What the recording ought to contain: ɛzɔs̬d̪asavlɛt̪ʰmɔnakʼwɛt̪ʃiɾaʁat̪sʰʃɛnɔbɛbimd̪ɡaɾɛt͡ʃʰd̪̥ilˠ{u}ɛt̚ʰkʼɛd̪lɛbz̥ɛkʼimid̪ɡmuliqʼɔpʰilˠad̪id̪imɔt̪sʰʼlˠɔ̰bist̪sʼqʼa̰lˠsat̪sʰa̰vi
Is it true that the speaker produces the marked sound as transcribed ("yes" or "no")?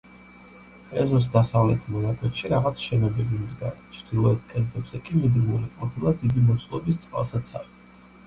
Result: no